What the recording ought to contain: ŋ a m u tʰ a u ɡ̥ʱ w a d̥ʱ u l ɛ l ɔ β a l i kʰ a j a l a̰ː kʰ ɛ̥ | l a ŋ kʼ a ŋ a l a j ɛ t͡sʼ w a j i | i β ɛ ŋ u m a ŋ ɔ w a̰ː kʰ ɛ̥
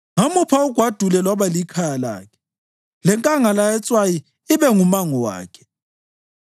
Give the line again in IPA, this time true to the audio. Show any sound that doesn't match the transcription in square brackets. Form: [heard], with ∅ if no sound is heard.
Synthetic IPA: ŋ a m u [pʰ] a u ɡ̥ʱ w a d̥ʱ u l ɛ l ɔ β a l i kʰ a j a l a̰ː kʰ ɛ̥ | l [ɛ] ŋ kʼ a ŋ a l a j ɛ t͡sʼ w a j i | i β ɛ ŋ u m a ŋ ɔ w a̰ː kʰ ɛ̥